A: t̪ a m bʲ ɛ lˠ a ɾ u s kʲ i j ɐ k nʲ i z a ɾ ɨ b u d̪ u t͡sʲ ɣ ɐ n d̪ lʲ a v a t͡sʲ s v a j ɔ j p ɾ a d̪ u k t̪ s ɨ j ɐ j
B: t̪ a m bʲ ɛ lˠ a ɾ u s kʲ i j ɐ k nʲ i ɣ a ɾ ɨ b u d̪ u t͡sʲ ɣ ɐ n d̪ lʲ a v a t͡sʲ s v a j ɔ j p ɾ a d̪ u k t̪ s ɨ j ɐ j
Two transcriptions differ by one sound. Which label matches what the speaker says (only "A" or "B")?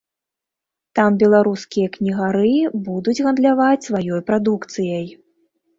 B